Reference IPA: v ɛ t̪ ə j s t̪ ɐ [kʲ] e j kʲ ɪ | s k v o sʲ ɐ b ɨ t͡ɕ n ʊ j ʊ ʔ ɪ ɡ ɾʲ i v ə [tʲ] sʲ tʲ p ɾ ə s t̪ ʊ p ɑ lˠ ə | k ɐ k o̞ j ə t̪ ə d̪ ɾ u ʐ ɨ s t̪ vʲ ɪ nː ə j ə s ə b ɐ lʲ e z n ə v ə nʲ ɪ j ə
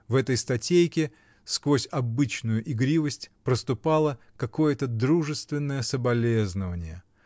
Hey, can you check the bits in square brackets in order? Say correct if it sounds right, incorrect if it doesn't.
incorrect, incorrect

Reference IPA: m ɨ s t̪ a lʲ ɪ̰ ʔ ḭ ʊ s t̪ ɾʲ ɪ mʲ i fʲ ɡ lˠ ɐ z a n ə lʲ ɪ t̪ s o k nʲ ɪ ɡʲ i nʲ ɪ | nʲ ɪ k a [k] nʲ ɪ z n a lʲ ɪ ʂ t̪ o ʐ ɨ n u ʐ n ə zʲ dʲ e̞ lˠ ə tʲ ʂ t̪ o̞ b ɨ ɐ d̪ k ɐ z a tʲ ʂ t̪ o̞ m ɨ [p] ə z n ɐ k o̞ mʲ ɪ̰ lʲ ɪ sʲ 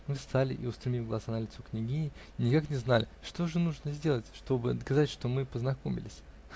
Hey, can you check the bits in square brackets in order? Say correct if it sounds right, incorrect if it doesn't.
correct, correct

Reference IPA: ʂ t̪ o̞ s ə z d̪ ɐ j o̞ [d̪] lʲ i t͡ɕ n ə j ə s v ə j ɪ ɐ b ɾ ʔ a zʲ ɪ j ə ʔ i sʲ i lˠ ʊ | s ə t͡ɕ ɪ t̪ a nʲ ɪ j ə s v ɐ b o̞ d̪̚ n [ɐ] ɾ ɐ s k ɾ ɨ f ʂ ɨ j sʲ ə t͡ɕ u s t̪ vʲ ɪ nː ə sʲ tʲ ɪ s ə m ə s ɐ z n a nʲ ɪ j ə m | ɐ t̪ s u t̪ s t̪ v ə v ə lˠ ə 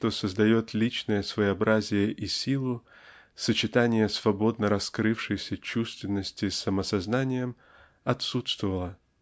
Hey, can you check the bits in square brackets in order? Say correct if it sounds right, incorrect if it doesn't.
incorrect, incorrect

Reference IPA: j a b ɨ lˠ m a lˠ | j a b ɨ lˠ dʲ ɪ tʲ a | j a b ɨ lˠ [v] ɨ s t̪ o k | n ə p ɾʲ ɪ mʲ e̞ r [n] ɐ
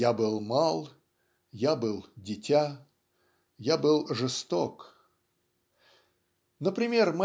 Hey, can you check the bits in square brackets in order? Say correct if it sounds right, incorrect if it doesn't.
incorrect, incorrect

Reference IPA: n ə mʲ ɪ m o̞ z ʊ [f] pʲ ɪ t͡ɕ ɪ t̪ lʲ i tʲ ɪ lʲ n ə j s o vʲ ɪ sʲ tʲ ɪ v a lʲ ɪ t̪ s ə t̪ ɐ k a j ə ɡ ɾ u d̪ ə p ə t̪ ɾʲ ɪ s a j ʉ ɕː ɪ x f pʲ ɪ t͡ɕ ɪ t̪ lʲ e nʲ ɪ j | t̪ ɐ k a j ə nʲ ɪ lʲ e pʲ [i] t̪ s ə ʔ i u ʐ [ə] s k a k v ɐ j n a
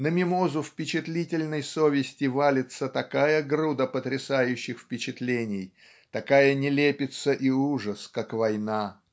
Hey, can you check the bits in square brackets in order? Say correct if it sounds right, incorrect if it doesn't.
correct, incorrect, correct

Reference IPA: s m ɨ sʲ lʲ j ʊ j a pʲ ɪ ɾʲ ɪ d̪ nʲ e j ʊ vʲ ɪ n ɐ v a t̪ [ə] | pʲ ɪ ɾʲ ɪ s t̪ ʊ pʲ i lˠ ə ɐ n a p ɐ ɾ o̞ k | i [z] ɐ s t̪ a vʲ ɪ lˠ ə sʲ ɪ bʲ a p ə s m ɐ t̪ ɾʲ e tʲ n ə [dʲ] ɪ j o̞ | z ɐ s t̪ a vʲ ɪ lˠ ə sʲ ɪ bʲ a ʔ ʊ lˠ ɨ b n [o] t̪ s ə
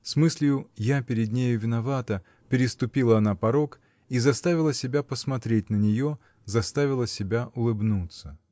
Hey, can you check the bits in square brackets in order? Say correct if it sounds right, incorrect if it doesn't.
correct, correct, incorrect, incorrect

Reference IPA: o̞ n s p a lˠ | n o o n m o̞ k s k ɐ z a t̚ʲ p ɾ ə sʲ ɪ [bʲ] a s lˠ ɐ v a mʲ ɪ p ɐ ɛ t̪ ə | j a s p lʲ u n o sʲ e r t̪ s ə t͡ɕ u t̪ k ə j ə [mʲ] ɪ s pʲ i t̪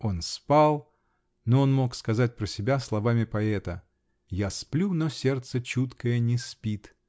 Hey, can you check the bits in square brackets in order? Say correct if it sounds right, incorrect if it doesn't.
correct, incorrect

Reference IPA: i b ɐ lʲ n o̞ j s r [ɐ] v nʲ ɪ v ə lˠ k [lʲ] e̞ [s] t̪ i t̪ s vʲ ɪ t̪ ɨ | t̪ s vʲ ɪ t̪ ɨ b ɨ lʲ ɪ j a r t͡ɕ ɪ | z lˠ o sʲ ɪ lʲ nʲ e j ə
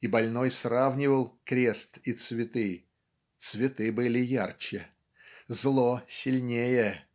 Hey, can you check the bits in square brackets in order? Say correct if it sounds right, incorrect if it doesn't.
incorrect, incorrect, correct

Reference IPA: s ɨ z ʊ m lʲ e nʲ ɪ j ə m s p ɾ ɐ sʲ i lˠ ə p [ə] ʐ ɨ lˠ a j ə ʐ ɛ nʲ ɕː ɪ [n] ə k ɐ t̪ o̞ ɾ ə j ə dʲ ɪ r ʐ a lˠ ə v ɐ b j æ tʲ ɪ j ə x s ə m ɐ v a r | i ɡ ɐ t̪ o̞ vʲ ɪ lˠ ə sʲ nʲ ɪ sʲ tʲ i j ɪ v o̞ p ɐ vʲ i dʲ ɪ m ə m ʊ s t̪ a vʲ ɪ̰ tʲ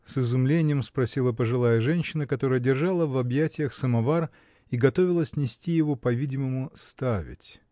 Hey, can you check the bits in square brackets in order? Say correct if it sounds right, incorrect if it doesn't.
correct, correct

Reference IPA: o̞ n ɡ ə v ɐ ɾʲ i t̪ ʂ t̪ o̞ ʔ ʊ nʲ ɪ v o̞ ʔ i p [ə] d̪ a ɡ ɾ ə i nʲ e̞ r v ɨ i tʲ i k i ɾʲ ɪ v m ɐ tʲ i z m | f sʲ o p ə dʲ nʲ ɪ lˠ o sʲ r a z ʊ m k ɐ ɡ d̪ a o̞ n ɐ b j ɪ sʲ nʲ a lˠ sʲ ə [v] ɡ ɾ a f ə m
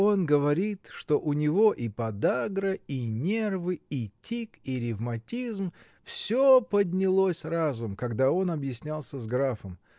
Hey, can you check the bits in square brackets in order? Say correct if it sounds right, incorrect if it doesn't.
incorrect, incorrect

